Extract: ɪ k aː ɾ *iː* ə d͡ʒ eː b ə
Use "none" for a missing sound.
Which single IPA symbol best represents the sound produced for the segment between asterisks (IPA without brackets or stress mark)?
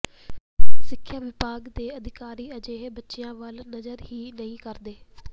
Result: iː